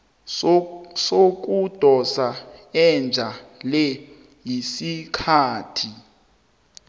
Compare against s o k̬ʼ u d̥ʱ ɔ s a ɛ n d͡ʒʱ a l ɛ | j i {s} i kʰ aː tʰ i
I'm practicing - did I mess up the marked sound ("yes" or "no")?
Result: no